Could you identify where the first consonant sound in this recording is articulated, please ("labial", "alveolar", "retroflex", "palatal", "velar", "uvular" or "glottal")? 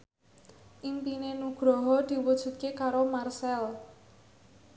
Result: glottal